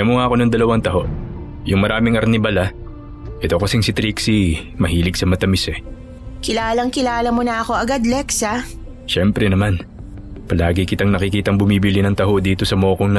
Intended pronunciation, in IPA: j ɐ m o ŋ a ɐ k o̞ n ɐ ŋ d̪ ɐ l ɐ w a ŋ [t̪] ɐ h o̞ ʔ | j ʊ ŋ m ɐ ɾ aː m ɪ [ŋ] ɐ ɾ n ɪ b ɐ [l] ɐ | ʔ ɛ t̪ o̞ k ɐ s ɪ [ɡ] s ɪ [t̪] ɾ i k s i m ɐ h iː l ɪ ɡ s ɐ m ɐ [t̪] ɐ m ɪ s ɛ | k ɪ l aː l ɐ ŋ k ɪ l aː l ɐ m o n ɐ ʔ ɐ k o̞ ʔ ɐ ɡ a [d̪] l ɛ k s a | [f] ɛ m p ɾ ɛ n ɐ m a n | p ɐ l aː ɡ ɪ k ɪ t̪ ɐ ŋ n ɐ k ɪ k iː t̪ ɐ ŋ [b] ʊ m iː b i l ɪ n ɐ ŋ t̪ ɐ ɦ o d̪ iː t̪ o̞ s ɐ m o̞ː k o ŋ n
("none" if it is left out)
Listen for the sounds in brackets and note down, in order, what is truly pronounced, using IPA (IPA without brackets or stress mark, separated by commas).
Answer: t̪, ŋ, l, ŋ, t̪, t̪, d̪, ʃ, b